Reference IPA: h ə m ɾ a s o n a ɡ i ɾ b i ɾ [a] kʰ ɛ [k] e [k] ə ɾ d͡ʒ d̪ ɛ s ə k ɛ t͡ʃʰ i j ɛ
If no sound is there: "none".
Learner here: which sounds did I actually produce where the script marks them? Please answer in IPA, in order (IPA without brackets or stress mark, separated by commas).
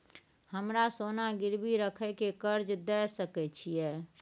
ə, k, k